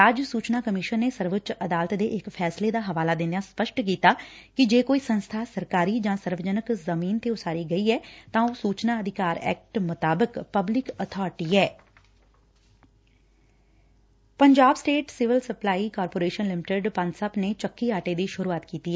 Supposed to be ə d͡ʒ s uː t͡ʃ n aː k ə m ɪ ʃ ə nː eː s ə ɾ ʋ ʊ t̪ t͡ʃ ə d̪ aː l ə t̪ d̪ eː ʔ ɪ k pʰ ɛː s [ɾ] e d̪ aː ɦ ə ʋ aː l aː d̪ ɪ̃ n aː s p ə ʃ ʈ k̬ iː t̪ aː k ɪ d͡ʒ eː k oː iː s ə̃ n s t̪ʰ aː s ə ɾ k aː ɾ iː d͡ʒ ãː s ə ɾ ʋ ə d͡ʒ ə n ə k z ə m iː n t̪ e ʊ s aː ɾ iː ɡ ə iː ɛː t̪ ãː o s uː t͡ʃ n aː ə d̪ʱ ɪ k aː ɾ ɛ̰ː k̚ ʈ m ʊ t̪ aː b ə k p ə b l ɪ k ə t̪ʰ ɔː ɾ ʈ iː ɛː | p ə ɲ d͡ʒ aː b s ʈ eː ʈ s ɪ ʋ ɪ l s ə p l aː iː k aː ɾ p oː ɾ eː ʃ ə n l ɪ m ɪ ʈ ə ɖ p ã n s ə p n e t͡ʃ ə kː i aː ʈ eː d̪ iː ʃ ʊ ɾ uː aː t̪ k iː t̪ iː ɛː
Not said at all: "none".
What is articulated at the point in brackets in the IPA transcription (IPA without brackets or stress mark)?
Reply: l